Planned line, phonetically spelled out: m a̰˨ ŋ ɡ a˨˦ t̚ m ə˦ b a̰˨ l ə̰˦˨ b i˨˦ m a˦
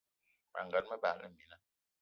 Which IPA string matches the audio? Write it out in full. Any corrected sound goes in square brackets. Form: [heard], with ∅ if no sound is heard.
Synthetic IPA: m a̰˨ ŋ ɡ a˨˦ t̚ m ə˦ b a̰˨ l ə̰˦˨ [m] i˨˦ [n] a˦